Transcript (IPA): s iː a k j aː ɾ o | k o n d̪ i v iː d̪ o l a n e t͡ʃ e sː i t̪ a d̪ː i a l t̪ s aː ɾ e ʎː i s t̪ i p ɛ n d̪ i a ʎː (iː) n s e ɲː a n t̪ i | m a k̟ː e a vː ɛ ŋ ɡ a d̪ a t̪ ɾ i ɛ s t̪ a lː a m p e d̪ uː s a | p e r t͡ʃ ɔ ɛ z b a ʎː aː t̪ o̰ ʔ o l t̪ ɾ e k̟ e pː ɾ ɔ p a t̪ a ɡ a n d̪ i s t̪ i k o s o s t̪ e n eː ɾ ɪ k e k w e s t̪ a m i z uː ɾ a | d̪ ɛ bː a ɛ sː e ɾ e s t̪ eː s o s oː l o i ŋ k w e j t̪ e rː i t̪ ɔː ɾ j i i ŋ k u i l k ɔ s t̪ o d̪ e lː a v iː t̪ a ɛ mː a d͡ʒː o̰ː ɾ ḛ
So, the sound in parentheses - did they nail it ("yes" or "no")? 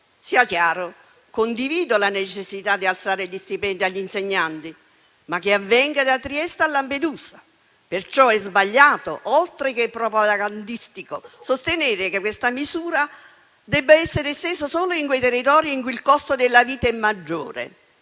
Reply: no